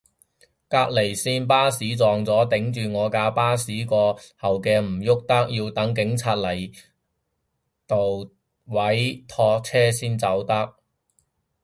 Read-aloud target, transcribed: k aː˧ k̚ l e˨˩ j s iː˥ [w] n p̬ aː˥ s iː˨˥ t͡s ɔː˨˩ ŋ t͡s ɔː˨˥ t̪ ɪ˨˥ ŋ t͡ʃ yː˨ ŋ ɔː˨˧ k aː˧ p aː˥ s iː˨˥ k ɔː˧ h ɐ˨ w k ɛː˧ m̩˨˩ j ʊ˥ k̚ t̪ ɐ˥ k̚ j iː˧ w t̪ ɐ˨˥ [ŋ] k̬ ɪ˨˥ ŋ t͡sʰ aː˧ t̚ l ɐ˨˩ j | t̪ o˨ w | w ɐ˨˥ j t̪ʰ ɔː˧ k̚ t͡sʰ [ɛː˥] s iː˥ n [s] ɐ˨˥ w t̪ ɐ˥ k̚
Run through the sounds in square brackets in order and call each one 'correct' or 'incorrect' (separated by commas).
incorrect, correct, correct, incorrect